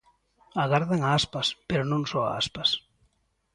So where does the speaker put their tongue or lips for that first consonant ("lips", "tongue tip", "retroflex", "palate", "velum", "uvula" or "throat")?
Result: velum